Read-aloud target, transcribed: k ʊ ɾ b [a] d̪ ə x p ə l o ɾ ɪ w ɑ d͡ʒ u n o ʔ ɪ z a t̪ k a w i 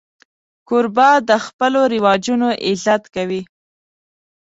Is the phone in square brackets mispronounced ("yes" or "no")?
yes